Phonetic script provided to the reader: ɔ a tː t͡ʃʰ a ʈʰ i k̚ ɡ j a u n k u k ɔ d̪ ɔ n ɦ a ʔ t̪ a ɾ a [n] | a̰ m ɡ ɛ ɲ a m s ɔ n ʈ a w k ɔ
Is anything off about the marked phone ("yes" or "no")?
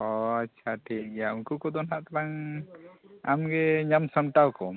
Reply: yes